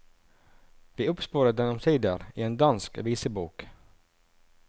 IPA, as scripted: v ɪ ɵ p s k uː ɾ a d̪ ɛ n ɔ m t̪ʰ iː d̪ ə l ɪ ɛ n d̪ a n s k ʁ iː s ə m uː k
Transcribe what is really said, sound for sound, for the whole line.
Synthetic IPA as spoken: v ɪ ɵ p s p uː ɾ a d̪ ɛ n ɔ m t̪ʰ iː d̪ ə ɾ ɪ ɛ n d̪ a n s k v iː s ə b uː k